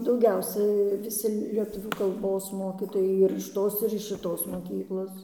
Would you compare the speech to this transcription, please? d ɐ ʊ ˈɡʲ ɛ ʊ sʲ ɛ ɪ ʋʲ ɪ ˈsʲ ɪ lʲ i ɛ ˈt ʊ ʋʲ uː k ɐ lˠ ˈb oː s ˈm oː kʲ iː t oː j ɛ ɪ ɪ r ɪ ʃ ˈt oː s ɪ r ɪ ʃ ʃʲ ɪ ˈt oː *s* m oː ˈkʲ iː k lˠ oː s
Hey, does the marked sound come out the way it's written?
yes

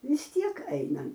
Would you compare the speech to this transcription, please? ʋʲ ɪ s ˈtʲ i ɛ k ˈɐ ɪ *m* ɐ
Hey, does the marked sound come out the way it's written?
no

